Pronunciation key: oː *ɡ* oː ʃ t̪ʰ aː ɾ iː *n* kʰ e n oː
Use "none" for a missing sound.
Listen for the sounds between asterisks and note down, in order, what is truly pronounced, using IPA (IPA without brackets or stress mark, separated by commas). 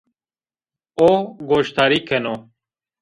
ɡ, none